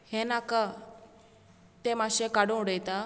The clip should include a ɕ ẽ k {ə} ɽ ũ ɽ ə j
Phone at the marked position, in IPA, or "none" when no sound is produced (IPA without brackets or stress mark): a